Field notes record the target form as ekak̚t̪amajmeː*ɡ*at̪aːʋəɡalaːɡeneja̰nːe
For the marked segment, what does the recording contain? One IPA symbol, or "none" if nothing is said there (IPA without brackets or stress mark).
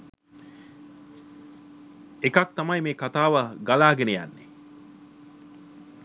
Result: k